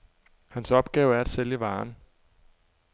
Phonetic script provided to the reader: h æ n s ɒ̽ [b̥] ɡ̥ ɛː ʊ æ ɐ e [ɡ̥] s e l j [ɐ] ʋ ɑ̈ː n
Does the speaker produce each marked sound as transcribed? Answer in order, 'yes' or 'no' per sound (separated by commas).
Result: yes, no, no